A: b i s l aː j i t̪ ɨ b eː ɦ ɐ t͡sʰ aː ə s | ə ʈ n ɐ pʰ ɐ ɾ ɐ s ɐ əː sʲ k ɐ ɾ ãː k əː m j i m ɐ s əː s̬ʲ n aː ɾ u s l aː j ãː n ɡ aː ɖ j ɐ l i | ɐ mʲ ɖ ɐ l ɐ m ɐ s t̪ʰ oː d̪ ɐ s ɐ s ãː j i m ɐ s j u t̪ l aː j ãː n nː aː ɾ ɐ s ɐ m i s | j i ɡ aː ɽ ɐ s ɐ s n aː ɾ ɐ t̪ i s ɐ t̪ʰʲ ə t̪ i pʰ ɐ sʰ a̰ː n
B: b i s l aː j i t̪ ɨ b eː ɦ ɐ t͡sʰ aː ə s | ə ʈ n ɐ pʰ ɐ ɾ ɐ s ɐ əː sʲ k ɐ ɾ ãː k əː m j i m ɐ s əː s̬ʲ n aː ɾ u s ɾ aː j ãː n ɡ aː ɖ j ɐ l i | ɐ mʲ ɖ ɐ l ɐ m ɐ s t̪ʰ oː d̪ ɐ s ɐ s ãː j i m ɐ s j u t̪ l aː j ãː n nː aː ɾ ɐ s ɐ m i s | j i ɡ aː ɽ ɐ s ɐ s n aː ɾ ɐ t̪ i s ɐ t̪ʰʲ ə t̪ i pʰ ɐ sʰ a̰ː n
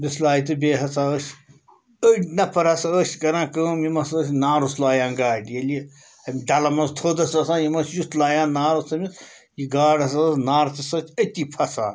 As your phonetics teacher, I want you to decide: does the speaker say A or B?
A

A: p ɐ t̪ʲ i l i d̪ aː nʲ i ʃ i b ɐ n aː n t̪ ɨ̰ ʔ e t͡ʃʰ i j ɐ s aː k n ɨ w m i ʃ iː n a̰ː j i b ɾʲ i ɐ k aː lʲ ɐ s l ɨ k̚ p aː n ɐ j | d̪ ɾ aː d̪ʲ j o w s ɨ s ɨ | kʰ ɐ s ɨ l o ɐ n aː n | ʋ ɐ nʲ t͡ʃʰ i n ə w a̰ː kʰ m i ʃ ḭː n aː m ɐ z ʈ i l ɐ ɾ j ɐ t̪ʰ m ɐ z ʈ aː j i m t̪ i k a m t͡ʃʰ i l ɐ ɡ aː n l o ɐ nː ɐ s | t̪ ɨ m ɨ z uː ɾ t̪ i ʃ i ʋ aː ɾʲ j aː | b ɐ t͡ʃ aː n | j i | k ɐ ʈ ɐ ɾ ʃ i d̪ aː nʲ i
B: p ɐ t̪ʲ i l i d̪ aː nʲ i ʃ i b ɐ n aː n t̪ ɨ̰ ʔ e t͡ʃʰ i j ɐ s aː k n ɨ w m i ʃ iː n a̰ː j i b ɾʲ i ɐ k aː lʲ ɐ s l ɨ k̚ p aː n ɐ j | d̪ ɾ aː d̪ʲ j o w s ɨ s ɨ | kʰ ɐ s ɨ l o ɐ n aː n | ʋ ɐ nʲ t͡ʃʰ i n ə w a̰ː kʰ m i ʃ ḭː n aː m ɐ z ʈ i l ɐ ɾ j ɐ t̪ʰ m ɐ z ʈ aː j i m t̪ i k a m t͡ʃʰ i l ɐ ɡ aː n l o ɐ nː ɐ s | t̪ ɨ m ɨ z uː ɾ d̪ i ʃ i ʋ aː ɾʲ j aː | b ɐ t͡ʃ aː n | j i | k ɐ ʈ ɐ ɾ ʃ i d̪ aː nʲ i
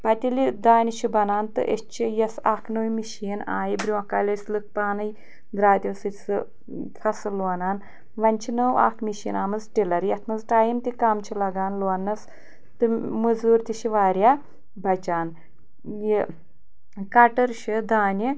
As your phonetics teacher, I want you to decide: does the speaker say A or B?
A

